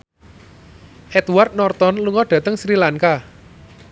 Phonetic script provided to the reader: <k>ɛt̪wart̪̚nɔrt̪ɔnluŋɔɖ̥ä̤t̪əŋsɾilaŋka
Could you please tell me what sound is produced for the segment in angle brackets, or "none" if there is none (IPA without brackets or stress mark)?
ʔ